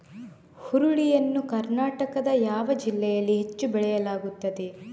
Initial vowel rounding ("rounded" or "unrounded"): rounded